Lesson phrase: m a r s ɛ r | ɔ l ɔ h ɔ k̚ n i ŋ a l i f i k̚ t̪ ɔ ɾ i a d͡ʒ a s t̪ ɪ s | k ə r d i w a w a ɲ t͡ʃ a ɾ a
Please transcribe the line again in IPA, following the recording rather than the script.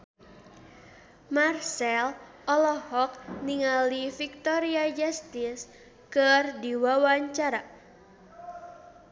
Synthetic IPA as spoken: m a r s ɛ l | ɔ l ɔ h ɔ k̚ n i ŋ a l i f i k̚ t̪ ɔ ɾ i a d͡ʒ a s t̪ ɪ s | k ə r d i w a w a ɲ t͡ʃ a ɾ a